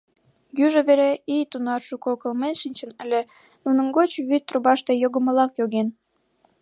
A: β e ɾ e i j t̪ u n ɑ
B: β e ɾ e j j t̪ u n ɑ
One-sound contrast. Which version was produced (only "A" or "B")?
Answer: A